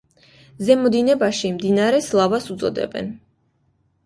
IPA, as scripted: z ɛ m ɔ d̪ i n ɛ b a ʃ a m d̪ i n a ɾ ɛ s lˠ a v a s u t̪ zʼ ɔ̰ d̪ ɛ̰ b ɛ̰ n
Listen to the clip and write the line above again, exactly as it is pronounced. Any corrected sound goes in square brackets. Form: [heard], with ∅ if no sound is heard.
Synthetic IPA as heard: z ɛ m ɔ d̪ i n ɛ b a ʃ [i] m d̪ i n a ɾ ɛ s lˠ a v a s u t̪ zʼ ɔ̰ d̪ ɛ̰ b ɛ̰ n